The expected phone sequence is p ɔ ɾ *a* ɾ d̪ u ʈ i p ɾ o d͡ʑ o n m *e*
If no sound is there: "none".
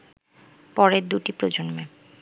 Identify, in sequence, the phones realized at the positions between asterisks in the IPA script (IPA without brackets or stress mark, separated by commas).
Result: e, e